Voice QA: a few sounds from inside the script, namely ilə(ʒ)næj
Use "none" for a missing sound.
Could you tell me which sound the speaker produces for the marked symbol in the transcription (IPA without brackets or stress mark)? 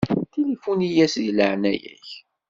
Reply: ʕ